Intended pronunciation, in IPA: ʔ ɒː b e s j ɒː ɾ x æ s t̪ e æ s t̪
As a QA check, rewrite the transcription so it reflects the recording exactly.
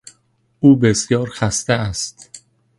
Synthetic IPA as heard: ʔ uː b e s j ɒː ɾ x æ s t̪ e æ s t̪